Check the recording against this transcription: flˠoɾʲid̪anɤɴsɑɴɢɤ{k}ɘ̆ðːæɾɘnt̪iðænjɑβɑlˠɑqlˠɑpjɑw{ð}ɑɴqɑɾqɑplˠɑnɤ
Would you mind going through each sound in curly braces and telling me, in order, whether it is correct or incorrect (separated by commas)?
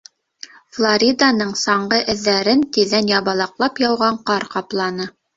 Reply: incorrect, incorrect